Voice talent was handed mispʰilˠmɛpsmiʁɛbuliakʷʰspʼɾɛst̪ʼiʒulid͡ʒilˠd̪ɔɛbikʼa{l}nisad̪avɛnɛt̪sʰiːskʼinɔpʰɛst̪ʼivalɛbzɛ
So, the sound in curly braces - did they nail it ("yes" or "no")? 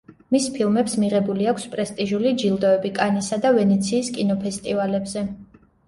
no